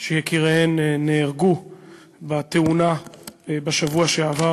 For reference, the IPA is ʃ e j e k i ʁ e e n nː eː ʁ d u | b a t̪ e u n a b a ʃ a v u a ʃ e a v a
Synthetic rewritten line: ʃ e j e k i ʁ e e n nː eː ʁ ɡ u | b a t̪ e u n a b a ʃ a v u a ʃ e a v a